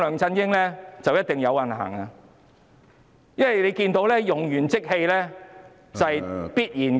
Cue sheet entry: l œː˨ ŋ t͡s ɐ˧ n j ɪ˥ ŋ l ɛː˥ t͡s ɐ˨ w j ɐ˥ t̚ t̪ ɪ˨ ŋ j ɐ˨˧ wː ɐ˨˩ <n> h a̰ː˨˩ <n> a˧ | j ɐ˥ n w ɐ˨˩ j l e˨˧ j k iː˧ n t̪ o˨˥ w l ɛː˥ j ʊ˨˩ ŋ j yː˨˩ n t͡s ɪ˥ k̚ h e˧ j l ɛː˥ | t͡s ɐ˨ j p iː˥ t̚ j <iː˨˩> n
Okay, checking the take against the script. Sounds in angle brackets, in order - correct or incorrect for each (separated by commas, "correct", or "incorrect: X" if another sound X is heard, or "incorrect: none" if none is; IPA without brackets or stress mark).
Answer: correct, incorrect: ŋ, correct